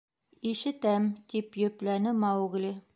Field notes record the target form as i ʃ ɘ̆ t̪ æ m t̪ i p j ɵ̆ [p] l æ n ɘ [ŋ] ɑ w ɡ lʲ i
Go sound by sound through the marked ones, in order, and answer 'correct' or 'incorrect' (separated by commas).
correct, incorrect